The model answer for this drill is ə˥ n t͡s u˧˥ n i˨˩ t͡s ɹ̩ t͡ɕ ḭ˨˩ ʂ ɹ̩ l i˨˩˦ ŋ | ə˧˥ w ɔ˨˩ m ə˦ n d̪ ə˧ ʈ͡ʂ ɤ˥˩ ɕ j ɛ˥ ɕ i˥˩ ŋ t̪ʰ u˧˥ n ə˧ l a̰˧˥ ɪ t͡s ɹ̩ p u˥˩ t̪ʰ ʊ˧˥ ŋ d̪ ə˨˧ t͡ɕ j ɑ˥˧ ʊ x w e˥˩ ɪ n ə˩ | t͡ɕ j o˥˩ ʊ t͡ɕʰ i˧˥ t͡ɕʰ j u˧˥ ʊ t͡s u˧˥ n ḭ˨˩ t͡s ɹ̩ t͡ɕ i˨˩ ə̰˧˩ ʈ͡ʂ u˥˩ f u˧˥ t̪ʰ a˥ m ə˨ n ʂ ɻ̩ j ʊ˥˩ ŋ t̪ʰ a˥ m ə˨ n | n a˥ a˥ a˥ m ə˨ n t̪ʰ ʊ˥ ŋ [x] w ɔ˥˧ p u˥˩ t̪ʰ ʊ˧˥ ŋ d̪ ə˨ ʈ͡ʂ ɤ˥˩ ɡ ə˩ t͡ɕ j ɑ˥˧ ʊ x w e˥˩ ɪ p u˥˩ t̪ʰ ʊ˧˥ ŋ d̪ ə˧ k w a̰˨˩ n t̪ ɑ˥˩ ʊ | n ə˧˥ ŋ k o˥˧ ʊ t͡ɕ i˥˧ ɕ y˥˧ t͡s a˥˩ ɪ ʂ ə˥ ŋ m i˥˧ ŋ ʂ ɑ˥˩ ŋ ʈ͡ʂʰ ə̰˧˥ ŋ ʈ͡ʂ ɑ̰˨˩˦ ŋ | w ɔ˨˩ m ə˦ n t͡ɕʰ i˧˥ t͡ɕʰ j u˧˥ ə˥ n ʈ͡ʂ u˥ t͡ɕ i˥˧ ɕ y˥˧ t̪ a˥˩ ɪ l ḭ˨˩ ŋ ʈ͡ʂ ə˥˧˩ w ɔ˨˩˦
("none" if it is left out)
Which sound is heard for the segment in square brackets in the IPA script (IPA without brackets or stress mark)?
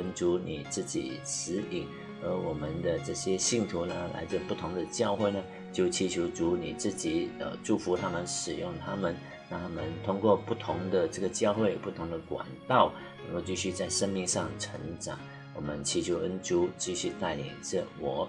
k